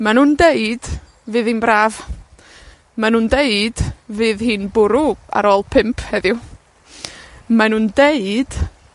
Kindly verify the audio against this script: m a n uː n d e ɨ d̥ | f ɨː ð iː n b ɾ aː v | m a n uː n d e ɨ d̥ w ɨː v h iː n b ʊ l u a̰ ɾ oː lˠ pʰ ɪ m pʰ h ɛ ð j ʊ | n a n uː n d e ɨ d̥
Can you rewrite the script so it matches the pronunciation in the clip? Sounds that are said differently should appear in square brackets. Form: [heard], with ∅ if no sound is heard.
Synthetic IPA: m a n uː n d e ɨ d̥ | [v] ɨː ð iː n b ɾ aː v | m a n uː n d e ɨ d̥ [v] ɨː [ð] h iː n b ʊ [ɾ] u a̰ ɾ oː lˠ pʰ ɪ m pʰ h ɛ ð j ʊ | [m] a n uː n d e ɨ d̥

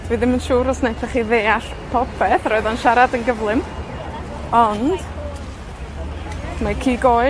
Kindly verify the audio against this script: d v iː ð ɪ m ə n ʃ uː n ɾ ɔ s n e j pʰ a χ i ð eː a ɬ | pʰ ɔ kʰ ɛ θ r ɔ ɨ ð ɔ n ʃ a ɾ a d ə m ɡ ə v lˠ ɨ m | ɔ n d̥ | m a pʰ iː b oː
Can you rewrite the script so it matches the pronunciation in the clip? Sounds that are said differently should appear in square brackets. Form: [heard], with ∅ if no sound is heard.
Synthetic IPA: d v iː ð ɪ m ə n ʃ uː [∅] ɾ ɔ s n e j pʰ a χ i ð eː a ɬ | pʰ ɔ [pʰ] ɛ θ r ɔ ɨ ð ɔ n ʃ a ɾ a d ə [n] ɡ ə v lˠ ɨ m | ɔ n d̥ | m a [kʰ] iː [ɡ] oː

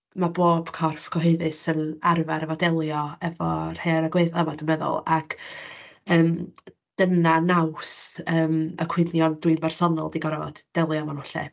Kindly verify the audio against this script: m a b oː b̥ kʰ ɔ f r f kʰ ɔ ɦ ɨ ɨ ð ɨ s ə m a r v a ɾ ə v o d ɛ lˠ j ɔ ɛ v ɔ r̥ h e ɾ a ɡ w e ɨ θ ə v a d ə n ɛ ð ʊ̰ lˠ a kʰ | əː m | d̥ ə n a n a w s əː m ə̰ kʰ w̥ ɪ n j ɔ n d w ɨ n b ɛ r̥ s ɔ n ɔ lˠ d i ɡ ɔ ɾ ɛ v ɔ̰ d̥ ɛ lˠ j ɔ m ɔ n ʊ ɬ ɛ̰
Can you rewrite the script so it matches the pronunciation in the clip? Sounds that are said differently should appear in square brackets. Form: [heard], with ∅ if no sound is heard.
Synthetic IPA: m a b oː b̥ kʰ ɔ [∅] r f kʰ ɔ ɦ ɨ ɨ ð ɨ s ə [n] a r v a ɾ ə v [ɔ] d ɛ lˠ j ɔ ɛ v ɔ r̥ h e ɾ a ɡ w e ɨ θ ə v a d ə [m] ɛ ð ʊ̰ lˠ a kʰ | əː m | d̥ ə n a n a w s əː m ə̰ kʰ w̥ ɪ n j ɔ n d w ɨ n b ɛ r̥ s ɔ n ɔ lˠ d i ɡ ɔ ɾ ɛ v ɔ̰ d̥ ɛ lˠ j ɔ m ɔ n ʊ ɬ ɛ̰

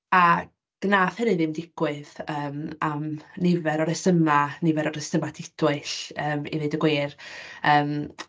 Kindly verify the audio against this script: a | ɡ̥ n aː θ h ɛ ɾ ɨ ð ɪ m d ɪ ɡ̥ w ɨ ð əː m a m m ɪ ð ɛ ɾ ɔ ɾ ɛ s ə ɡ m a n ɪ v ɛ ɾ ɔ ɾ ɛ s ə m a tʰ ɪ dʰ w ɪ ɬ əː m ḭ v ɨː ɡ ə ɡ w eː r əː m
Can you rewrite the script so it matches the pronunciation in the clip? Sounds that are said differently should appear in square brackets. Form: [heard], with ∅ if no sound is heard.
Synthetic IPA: a | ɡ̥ n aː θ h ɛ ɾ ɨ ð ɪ m d ɪ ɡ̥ w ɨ ð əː m a m [n] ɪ [v] ɛ ɾ ɔ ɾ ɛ s ə [∅] m a n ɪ v ɛ ɾ ɔ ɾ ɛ s ə m a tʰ ɪ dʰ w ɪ ɬ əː m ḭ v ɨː [d] ə ɡ w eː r əː m

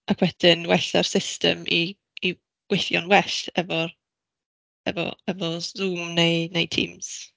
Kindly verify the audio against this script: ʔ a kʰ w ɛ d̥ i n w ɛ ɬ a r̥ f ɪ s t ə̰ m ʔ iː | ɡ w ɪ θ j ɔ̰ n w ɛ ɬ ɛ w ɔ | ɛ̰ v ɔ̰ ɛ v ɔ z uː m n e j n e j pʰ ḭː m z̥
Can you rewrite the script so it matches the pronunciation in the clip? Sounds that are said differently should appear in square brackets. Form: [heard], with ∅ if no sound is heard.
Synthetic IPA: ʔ a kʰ w ɛ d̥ [ɪ] n w ɛ ɬ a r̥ [s] ɪ s t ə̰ m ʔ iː | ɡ w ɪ θ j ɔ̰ n w ɛ ɬ ɛ [v] ɔ | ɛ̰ v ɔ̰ ɛ v ɔ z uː m n e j n e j [tʰ] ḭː m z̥

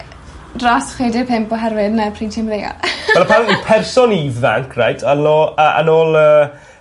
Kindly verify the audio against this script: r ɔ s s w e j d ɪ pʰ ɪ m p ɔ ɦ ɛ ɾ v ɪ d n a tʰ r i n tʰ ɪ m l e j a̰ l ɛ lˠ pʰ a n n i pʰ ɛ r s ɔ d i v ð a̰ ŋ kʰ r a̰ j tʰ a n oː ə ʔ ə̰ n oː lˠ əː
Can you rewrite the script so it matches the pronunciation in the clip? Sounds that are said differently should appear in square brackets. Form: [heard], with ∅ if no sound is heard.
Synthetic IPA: r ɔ s [χ] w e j d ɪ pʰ ɪ m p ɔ ɦ ɛ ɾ v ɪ d n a [pʰ] r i n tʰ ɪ m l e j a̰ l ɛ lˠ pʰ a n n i pʰ ɛ r s ɔ [n] i v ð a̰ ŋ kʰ r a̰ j tʰ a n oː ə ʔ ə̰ n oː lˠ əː

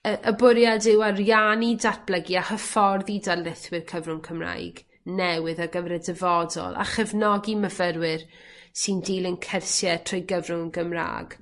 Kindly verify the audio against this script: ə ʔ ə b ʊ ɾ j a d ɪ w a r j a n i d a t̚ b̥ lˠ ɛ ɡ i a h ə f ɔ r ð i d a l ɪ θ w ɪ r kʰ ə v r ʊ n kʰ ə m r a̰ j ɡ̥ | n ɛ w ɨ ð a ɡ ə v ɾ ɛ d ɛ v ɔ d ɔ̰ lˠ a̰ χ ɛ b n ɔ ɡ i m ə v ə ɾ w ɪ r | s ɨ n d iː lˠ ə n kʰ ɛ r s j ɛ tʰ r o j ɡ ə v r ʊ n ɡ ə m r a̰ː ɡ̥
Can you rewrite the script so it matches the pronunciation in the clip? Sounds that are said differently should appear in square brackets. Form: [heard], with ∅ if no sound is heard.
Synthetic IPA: ə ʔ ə b ʊ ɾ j a d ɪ w a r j a n i d a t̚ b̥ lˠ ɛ ɡ i a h ə f ɔ r ð i d a l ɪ θ w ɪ r kʰ ə v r ʊ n kʰ ə m r a̰ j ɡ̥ | n ɛ w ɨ ð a ɡ ə v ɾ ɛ d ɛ v ɔ d ɔ̰ lˠ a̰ χ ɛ [v] n ɔ ɡ i m ə v ə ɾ w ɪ r | s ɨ n d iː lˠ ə n kʰ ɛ r s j ɛ tʰ r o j ɡ ə v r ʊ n ɡ ə m r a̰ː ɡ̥

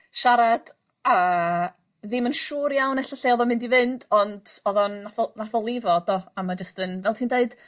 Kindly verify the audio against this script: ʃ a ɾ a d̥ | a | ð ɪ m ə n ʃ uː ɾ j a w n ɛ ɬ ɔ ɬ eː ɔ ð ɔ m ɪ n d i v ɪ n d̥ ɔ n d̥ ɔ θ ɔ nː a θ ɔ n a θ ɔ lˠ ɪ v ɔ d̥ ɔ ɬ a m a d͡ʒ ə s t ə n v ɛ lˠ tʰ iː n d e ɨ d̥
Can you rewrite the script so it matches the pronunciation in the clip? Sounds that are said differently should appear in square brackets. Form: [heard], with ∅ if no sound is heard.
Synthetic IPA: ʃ a ɾ a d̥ | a | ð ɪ m ə n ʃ uː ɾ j a w n ɛ ɬ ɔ ɬ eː ɔ ð ɔ m ɪ n d i v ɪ n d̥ ɔ n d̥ ɔ [ð] ɔ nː a θ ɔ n a θ ɔ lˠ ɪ v ɔ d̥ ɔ [∅] a m a d͡ʒ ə s t ə n v ɛ lˠ tʰ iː n d e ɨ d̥

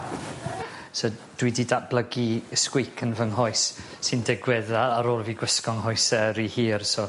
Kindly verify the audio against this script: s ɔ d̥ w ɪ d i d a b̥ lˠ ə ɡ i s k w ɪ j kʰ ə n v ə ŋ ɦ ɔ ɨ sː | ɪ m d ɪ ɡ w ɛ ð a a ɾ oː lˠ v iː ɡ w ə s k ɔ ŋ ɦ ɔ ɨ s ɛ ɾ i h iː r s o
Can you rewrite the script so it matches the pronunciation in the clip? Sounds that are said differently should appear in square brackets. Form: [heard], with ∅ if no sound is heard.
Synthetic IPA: s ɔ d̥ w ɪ d i d a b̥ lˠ ə ɡ i s k w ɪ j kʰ ə n v ə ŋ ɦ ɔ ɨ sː | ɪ [n] d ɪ ɡ w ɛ ð a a ɾ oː lˠ v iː ɡ w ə s k ɔ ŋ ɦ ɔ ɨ s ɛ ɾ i h iː r s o

